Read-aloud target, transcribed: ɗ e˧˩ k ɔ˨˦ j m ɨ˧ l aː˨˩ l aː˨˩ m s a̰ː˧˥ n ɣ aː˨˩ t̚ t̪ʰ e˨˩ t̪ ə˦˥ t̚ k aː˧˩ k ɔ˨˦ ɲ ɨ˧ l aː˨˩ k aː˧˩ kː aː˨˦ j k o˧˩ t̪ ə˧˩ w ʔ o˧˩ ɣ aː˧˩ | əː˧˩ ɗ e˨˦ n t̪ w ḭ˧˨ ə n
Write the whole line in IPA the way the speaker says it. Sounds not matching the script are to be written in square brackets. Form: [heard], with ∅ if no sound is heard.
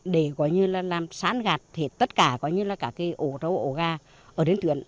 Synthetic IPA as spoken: ɗ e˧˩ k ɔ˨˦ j [ɲ] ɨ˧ l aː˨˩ l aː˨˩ m s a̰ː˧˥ n ɣ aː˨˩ t̚ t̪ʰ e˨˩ t̪ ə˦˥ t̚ k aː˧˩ k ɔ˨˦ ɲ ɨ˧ l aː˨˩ k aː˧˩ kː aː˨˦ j [ʔ] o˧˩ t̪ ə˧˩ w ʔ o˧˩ ɣ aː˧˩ | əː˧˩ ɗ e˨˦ n t̪ w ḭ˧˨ ə n